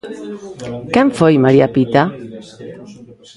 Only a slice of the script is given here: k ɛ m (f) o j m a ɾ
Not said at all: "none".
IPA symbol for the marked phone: f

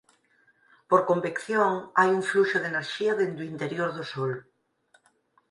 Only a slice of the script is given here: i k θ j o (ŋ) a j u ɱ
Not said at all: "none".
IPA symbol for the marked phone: ŋ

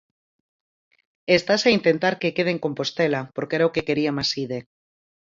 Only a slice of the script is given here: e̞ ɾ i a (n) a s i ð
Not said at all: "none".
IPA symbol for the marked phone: m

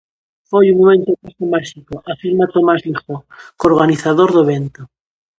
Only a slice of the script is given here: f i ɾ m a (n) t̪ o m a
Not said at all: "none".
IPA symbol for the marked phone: none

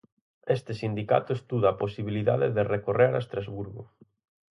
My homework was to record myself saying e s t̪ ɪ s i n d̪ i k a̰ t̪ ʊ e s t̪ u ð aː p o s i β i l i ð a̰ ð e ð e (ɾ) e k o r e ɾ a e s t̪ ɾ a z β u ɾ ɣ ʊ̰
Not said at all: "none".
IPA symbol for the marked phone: r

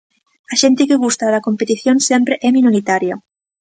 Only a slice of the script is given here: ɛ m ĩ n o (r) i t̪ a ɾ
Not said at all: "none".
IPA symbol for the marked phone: ɾ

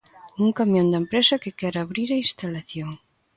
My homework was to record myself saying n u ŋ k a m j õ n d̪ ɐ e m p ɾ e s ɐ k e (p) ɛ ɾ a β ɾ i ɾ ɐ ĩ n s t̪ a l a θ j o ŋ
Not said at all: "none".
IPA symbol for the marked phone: k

